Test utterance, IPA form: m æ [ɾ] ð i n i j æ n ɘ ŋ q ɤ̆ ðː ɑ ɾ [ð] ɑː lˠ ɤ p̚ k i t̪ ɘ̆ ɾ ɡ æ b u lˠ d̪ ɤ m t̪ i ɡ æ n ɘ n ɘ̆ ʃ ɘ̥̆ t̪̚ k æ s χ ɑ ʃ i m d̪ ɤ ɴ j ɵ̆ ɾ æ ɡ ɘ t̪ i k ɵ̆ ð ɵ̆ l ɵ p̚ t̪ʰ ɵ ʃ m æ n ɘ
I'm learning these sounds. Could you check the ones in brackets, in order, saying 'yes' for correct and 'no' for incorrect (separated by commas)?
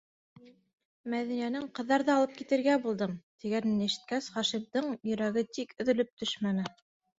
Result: no, yes